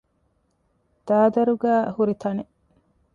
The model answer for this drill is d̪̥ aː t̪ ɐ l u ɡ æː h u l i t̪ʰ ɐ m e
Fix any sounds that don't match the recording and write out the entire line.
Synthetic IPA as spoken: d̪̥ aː d̪ ɐ ɾ u ɡ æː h u ɾ i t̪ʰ ɐ n e